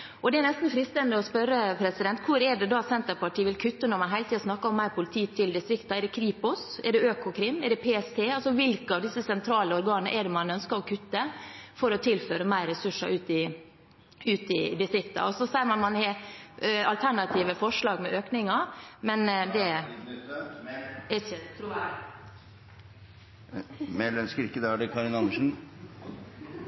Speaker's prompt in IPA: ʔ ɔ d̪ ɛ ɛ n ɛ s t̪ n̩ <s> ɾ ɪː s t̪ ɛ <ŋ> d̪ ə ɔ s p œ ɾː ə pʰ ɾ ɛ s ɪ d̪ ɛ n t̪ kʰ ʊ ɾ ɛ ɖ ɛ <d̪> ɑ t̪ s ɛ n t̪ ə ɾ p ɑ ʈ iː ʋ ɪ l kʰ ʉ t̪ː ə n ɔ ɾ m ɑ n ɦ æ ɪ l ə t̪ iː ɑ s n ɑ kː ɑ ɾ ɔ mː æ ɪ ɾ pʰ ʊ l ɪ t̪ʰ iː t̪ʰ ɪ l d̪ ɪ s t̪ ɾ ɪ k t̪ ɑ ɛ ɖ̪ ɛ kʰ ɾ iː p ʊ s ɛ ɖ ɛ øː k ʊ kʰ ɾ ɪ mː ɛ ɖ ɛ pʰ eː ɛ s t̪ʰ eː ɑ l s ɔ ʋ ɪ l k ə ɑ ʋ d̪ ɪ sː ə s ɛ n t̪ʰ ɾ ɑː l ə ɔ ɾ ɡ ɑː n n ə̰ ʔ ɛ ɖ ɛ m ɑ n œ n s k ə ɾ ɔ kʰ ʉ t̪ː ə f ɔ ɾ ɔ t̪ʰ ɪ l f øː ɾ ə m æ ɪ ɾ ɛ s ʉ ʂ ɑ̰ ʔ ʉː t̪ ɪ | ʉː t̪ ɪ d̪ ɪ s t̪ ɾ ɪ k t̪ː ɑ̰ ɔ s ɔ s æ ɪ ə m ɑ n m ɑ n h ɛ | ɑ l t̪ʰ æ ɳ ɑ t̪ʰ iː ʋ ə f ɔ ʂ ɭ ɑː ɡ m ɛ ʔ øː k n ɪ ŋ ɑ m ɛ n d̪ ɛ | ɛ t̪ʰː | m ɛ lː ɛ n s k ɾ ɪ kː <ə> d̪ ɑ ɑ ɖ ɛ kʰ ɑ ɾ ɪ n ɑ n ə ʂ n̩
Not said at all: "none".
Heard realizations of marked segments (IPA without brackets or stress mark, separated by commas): f, n, d̪, ə